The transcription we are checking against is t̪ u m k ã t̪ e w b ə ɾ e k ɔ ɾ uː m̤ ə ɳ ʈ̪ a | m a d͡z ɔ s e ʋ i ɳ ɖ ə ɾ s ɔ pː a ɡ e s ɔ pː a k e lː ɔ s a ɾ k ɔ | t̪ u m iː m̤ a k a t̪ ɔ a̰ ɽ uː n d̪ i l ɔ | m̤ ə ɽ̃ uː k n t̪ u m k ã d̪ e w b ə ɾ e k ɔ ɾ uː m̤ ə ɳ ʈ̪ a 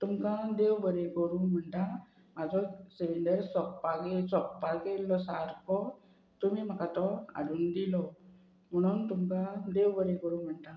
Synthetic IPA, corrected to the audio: t̪ u m k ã d̪ e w b ə ɾ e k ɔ ɾ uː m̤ ə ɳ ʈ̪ a | m a d͡z ɔ s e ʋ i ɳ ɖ ə ɾ s ɔ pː a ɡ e s ɔ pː a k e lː ɔ s a ɾ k ɔ | t̪ u m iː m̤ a k a t̪ ɔ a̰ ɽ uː n d̪ i l ɔ | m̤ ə ɽ̃ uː n t̪ u m k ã d̪ e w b ə ɾ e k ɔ ɾ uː m̤ ə ɳ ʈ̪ a